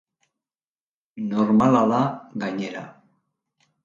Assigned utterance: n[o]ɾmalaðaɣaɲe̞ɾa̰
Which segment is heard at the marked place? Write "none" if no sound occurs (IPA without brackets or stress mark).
o